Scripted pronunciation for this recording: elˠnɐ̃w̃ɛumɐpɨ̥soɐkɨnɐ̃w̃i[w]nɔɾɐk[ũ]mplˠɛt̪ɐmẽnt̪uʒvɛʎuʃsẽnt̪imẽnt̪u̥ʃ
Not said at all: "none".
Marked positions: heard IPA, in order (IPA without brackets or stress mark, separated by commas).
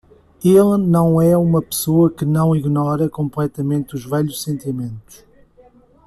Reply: ɣ, õ